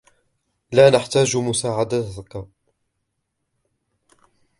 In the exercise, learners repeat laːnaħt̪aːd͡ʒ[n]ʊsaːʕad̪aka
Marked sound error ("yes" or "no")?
yes